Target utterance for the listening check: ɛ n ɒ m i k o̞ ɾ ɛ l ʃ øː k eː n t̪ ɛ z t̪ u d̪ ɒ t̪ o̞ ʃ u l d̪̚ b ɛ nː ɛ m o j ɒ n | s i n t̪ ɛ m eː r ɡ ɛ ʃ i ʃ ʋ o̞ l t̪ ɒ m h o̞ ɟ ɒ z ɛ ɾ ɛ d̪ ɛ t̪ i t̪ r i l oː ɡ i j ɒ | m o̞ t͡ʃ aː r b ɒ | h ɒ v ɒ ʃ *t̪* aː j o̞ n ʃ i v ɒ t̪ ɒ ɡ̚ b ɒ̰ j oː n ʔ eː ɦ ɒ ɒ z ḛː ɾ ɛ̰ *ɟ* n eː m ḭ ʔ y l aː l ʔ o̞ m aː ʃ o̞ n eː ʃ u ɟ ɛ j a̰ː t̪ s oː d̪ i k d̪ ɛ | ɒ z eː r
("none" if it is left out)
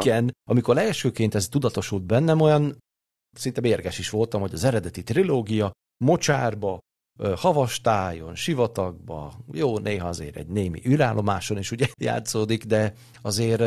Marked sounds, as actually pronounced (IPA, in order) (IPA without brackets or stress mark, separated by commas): t̪, ɟ